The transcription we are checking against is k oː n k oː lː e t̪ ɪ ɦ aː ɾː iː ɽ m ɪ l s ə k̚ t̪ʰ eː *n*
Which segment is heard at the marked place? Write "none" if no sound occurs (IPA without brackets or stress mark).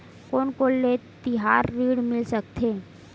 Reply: none